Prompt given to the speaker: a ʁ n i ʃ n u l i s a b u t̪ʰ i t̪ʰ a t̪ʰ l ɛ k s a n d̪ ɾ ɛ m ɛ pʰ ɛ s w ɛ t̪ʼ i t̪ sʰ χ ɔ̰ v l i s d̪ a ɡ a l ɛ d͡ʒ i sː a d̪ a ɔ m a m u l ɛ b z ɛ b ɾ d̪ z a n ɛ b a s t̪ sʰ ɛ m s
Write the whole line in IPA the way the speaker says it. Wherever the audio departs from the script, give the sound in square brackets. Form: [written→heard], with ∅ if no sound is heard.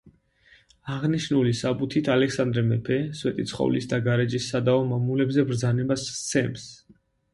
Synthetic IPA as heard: a ʁ n i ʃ n u l i s a b u t̪ʰ i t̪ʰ a [t̪ʰ→∅] l ɛ k s a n d̪ ɾ ɛ m ɛ pʰ ɛ s w ɛ t̪ʼ i t̪ sʰ χ ɔ̰ v l i s d̪ a ɡ a [l→ɾ] ɛ d͡ʒ i sː a d̪ a ɔ m a m u l ɛ b z ɛ b ɾ d̪ z a n ɛ b a s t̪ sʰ ɛ m s